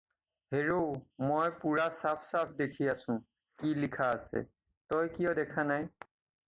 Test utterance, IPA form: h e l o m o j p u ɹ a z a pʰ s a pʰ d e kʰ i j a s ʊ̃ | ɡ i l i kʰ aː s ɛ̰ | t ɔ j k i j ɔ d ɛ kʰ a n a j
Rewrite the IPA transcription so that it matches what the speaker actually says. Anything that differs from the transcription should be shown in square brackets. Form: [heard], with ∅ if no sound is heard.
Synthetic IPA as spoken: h e [ɹ] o m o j p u ɹ a [s] a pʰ s a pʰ d e kʰ i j a s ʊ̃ | [k] i l i kʰ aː s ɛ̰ | t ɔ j k i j ɔ d ɛ kʰ a n a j

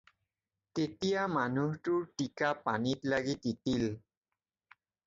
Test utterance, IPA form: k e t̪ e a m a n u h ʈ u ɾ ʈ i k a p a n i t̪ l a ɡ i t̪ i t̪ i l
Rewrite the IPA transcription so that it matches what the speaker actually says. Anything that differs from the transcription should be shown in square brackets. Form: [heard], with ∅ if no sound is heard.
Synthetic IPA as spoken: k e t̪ [i] a m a n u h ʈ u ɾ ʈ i k a p a n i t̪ l a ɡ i t̪ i t̪ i l

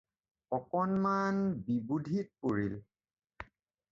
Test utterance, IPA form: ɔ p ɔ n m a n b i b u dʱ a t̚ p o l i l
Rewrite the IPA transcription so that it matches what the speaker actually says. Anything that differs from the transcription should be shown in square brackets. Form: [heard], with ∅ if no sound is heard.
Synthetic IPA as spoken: ɔ [k] ɔ n m a n b i b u dʱ [i] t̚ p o [ɹ] i l

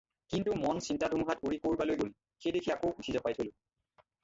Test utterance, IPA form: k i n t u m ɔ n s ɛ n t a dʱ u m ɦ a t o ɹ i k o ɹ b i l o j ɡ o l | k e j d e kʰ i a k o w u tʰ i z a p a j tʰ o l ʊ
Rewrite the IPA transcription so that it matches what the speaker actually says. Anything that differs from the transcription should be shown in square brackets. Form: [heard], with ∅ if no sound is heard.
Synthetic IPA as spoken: k i n t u m ɔ n s [i] n t a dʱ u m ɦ a t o ɹ i k o ɹ b [a] l o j ɡ o l | [x] e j d e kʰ i a k o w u tʰ i z a p a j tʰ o l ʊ

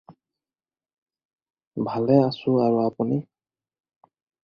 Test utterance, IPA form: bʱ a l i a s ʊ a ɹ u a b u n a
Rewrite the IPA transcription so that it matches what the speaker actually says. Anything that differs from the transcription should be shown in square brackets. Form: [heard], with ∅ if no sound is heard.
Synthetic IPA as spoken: bʱ a l [ɛ] a s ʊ a ɹ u a [p] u n [i]

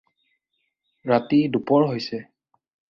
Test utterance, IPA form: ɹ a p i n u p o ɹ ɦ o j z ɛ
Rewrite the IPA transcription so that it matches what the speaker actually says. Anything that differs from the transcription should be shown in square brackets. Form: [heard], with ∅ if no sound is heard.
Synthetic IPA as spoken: ɹ a [t] i [d] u p [ɔ] ɹ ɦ o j [s] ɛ

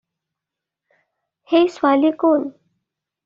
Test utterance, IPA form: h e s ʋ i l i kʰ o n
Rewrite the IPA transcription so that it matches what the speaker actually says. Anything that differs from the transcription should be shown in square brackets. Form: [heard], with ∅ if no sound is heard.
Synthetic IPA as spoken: h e s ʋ [a] l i [k] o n

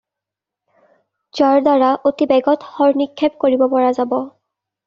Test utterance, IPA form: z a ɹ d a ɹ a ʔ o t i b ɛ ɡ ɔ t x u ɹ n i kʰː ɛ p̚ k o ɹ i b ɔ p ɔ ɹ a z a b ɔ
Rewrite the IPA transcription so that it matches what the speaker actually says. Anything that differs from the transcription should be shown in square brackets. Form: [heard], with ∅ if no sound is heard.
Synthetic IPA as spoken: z a ɹ d a ɹ a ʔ o t i b ɛ ɡ ɔ t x [ɔ] ɹ n i kʰː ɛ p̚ k o ɹ i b ɔ p ɔ ɹ a z a b ɔ

